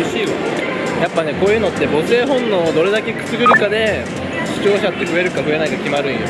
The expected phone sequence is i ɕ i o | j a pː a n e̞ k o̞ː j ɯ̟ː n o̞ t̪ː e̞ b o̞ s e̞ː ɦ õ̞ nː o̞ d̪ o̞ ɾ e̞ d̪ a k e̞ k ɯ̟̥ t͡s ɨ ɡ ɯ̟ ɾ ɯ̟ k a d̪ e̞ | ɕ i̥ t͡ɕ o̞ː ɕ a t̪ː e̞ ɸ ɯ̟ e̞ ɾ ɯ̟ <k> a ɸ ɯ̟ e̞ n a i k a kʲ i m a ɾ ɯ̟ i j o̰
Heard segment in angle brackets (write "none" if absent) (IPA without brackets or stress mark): k